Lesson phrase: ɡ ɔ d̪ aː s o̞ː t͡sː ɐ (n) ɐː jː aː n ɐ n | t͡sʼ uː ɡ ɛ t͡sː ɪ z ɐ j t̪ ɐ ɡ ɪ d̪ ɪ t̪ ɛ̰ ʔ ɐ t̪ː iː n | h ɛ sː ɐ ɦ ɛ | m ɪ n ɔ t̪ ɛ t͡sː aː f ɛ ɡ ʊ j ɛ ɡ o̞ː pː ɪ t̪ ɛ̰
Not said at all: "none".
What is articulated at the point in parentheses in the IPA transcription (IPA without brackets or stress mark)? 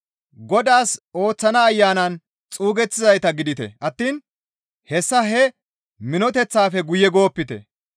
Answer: n